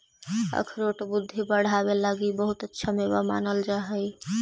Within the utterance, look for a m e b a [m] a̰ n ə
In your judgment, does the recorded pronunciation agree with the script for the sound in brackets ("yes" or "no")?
yes